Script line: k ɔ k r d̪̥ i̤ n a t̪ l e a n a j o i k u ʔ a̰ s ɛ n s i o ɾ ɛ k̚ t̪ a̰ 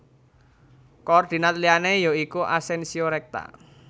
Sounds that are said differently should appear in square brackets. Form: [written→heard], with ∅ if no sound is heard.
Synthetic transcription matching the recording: k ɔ [k→∅] r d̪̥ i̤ n a t̪ l [e→i] a n [a→e] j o i k u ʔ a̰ s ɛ n s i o ɾ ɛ k̚ t̪ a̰

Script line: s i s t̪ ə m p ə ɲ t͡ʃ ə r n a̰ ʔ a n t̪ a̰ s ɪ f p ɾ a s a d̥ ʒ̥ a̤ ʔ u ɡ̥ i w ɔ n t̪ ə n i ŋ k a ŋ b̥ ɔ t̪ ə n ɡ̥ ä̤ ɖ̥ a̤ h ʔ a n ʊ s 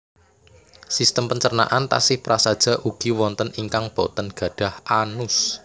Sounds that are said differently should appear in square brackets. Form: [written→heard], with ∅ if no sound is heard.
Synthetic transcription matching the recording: s i s t̪ ə m p ə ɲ t͡ʃ ə r n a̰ ʔ a n t̪ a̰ s ɪ [f→h] p ɾ a s a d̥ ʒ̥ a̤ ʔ u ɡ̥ i w ɔ n t̪ ə n i ŋ k a ŋ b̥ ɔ t̪ ə n ɡ̥ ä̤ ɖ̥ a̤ h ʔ a n ʊ s

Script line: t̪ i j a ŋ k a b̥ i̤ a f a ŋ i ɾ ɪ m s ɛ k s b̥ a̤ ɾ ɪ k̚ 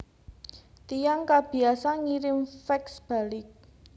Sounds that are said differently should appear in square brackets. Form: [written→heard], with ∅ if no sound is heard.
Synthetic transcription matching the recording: t̪ i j a ŋ k a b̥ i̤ a [f→s] a ŋ i ɾ ɪ m [s→f] ɛ k s b̥ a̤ [ɾ→l] ɪ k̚

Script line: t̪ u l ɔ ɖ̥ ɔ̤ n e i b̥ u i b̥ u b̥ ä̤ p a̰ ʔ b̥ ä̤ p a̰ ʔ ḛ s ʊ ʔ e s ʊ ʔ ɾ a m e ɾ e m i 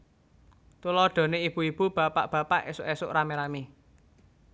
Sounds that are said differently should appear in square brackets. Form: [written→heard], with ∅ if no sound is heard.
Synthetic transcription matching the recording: t̪ u l ɔ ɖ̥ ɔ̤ n e i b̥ u i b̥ u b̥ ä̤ p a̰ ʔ b̥ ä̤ p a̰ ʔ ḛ s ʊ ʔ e s ʊ ʔ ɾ a m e ɾ [e→a] m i

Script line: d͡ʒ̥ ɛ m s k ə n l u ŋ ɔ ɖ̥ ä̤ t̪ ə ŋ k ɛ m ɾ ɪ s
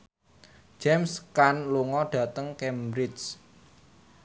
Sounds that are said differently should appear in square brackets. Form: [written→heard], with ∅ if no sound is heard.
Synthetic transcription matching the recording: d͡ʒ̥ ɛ m s k [ə→a] n l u ŋ ɔ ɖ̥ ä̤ t̪ ə ŋ k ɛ m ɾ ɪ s

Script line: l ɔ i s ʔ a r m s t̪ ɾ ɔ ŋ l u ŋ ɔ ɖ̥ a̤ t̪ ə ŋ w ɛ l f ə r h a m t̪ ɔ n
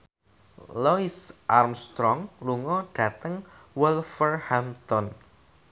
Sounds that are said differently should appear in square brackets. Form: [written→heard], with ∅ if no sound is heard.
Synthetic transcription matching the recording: l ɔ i s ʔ a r m s t̪ ɾ ɔ ŋ l u ŋ ɔ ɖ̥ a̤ t̪ ə ŋ w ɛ l f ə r h a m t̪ ɔ n

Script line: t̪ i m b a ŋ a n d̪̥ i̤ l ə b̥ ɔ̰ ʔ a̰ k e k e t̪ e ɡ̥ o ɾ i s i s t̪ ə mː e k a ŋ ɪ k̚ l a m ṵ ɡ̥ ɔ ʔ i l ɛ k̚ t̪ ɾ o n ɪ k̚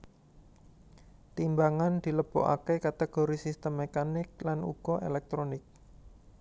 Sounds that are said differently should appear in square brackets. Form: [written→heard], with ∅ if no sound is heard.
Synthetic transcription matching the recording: t̪ i m b a ŋ a n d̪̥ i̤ l ə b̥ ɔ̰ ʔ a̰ k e k [e→a] t̪ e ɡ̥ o ɾ i s i s t̪ ə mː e k a [ŋ→n] ɪ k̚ l a [m→n] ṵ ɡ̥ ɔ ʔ [i→e] l ɛ k̚ t̪ ɾ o n ɪ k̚

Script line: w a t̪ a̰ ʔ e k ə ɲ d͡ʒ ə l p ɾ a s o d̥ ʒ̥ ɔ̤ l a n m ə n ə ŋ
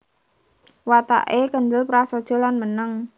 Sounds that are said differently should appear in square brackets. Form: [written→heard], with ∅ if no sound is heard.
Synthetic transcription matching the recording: w a t̪ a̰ ʔ e k ə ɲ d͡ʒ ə l p ɾ a s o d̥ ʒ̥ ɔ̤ l a n m ə n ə ŋ

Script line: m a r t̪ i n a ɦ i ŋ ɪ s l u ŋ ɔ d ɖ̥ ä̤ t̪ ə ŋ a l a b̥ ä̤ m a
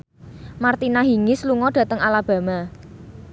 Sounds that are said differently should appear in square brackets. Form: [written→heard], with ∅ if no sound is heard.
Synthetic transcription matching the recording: m a r t̪ i n a ɦ i ŋ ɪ s l u ŋ ɔ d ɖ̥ ä̤ t̪ ə ŋ a l a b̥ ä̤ m a

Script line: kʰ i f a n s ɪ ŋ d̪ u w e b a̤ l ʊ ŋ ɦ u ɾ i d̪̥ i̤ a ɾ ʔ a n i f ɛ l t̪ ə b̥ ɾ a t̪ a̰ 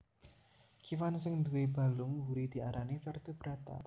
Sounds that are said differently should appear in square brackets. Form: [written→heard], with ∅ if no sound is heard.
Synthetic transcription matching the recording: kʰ i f a n s ɪ ŋ d̪ u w e b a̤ l ʊ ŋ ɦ u ɾ i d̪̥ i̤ a ɾ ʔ a n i f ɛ [l→r] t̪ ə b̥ ɾ a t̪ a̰

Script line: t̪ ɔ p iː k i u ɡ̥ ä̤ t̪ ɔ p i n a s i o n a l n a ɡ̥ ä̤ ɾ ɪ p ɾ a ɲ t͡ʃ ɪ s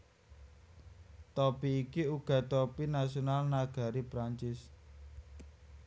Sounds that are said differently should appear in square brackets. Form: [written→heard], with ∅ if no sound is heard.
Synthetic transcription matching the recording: t̪ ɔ p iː k i u ɡ̥ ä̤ t̪ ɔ p i n a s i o n a l n a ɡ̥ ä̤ ɾ [ɪ→i] p ɾ a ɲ t͡ʃ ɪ s

